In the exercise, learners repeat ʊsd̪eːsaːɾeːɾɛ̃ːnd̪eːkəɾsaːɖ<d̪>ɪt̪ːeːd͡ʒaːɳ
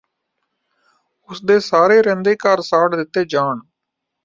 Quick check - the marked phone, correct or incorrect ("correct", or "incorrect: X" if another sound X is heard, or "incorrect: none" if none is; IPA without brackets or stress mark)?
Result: correct